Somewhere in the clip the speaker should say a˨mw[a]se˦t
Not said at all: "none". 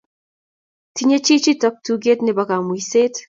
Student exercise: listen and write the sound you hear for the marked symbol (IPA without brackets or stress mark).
i